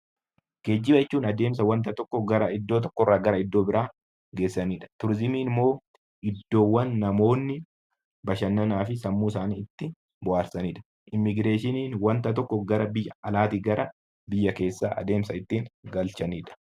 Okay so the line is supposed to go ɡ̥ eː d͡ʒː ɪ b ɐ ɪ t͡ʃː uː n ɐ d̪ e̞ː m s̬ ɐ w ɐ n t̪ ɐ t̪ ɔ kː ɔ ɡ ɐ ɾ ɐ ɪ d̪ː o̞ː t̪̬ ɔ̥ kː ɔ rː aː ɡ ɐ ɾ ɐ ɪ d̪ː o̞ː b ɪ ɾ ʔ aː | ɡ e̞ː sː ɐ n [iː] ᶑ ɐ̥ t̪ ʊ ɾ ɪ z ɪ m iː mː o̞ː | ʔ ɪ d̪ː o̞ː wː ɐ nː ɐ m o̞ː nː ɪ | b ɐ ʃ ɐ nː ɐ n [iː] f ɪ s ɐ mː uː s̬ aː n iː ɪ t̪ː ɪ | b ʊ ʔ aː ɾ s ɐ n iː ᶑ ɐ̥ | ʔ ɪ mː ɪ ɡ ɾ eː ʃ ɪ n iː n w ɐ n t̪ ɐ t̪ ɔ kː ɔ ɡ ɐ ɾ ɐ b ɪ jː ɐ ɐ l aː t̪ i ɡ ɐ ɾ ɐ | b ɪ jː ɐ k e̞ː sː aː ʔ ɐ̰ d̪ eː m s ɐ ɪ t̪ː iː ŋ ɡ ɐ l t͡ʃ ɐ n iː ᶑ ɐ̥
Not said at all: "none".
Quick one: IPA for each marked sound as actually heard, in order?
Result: iː, aː

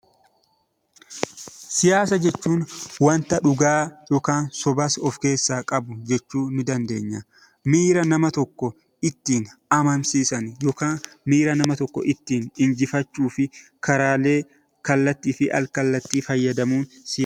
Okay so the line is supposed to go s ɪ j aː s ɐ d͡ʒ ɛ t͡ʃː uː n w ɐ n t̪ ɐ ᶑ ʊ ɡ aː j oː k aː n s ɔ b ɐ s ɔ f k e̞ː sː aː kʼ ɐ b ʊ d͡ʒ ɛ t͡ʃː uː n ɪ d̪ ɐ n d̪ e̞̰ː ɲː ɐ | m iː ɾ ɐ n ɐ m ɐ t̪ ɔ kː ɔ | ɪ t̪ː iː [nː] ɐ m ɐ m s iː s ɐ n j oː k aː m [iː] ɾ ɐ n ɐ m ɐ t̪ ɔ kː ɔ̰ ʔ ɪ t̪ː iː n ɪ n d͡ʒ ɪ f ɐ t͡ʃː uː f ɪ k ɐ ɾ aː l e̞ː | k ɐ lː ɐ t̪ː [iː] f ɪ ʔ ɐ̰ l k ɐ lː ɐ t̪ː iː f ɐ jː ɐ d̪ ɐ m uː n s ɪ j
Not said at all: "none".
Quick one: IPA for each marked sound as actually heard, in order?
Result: n, iː, iː

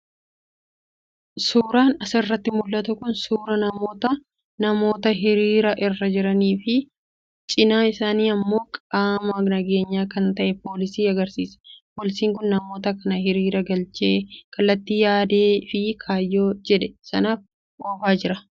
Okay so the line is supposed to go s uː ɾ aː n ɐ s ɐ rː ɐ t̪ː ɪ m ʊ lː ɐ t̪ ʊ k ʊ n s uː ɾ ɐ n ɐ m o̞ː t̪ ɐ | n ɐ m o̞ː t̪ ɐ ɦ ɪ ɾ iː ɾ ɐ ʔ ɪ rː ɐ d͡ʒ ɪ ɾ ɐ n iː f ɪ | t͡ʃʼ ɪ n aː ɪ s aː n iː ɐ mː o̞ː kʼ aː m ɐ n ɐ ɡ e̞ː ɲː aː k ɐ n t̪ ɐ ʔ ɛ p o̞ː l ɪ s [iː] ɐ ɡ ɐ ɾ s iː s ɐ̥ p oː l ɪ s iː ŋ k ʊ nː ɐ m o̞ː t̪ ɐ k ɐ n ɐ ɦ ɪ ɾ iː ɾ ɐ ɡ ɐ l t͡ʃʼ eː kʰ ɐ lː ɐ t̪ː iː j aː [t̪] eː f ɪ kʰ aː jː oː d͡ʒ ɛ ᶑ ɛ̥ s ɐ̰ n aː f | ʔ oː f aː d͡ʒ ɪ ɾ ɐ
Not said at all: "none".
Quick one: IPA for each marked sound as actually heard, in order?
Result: iː, d̪

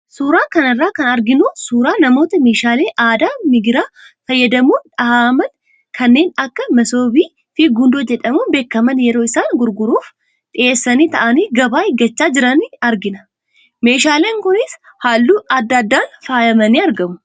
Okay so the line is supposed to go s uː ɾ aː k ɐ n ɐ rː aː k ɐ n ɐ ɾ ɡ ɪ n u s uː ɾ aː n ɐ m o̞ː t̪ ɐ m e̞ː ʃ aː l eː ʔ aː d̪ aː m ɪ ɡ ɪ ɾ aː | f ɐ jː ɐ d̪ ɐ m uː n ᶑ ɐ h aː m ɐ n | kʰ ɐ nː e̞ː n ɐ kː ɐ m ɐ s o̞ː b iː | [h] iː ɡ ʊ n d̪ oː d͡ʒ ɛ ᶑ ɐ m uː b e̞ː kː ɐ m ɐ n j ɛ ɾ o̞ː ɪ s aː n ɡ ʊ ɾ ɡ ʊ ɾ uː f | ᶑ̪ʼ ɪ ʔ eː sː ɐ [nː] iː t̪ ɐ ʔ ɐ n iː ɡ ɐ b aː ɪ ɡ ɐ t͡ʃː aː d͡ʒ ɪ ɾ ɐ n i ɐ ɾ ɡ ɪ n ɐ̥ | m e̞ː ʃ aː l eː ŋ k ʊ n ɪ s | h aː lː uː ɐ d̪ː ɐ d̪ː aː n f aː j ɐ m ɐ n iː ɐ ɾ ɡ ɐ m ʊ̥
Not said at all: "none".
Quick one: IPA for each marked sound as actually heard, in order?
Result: f, n

